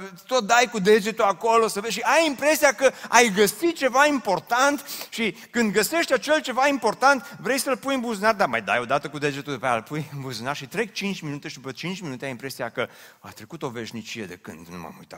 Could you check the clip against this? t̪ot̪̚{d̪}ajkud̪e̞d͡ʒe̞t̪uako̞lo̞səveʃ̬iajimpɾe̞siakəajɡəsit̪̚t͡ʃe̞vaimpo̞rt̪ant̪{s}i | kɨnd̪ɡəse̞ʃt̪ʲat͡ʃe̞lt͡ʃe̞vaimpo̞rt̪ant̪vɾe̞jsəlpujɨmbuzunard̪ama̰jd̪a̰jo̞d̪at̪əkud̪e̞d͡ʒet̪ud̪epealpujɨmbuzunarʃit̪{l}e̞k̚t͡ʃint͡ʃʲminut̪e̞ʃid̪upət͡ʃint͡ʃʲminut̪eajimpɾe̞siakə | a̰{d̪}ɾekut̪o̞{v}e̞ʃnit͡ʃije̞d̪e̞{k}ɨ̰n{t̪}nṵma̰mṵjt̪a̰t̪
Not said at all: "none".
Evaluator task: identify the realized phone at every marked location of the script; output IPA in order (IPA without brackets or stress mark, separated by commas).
d̪, ʃ, ɾ, t̪, v, k, d̪